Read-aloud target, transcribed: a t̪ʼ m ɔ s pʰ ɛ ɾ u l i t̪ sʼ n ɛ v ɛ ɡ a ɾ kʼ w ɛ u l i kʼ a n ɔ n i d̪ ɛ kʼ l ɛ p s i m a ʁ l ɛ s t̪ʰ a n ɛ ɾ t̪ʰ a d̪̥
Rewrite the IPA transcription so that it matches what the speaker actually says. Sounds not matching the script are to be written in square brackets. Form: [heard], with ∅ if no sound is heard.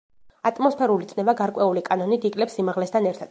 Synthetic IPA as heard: a t̪ʼ m ɔ s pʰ ɛ ɾ u l i t̪ sʼ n ɛ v [a] ɡ a ɾ kʼ w ɛ u l i kʼ a n ɔ n i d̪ [i] kʼ l ɛ p s i m a ʁ l ɛ s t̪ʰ a n ɛ ɾ t̪ʰ a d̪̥